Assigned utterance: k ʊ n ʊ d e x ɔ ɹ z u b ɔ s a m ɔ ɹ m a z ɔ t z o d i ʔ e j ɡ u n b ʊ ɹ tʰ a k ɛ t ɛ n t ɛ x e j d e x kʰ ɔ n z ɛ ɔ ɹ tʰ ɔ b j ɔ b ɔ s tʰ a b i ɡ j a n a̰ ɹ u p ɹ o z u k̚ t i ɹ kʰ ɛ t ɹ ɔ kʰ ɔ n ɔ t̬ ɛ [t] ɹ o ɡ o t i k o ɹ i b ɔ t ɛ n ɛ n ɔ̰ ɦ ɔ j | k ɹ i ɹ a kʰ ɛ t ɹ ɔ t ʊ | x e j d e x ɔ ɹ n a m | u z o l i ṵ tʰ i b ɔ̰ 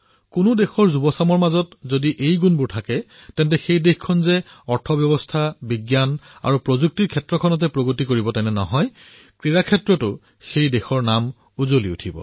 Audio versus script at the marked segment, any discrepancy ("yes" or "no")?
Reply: yes